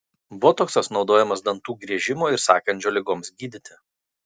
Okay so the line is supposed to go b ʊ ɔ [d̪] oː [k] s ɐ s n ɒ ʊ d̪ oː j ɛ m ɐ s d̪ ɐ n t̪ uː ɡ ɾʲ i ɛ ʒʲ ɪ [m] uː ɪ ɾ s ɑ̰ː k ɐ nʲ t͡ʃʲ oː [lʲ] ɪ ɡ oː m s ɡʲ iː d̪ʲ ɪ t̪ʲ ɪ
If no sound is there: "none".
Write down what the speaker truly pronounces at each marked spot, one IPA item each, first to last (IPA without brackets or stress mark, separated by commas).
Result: t̪, k, m, lʲ